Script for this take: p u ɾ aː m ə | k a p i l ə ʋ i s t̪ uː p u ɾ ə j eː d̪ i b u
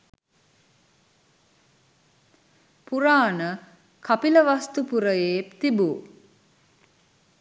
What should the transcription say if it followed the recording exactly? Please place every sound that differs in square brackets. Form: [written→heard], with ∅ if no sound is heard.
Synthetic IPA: p u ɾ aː [m→n] ə | k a p i l ə ʋ [i→a] s t̪ [uː→u] p u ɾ ə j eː [d̪→t̪] i b u